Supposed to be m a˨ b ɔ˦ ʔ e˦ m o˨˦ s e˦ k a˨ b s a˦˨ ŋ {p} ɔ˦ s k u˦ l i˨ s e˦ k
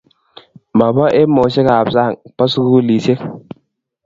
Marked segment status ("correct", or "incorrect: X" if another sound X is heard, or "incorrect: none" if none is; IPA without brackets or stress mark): correct